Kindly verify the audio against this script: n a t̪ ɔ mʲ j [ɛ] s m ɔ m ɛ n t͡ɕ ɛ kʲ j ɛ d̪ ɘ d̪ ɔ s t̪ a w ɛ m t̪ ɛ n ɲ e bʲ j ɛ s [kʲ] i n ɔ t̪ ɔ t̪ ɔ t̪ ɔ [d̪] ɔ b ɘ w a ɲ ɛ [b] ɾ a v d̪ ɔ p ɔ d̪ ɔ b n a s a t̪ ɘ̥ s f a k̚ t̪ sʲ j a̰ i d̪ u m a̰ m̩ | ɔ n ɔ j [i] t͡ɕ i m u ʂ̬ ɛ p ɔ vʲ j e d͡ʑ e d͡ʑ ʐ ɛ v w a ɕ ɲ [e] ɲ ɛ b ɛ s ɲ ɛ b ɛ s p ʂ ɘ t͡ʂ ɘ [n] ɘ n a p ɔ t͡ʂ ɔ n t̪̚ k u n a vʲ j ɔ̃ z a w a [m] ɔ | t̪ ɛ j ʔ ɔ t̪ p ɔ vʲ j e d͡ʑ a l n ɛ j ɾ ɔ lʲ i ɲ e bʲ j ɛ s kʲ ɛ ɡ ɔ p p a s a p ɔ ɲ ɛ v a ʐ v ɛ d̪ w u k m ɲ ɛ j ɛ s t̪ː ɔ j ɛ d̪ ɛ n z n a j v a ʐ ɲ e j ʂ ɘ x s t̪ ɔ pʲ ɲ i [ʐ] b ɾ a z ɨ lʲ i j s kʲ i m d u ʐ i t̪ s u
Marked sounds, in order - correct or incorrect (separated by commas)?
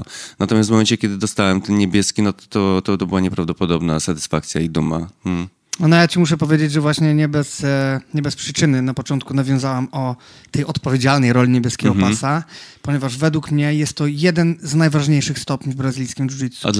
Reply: incorrect, correct, incorrect, incorrect, incorrect, incorrect, correct, correct, incorrect